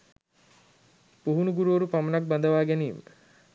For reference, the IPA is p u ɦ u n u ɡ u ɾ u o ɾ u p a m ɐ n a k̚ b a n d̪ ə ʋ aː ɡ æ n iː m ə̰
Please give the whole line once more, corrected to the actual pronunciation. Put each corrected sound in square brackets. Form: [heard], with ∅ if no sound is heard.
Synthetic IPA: p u ɦ u n u ɡ u ɾ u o ɾ u p a m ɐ n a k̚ b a n d̪ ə ʋ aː ɡ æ n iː m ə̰